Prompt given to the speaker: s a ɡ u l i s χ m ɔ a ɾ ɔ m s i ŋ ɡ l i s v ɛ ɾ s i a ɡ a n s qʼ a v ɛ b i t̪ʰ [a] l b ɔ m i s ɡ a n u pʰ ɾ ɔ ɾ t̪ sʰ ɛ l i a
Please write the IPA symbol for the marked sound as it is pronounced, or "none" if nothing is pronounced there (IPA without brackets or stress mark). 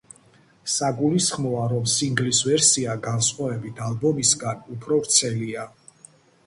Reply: a